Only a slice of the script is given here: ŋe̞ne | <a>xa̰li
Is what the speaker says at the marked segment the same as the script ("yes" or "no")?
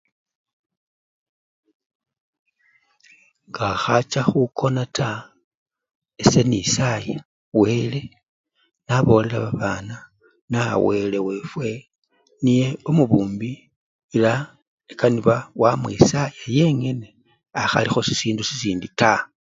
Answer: yes